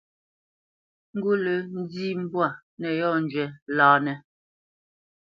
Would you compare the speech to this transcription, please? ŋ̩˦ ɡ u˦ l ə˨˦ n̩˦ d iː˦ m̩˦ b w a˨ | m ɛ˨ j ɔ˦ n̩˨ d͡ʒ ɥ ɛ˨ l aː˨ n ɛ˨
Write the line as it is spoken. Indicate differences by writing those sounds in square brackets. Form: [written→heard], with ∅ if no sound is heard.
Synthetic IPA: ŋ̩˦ ɡ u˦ l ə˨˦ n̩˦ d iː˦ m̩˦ b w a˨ | [m→n] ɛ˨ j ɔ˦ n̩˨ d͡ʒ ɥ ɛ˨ l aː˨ n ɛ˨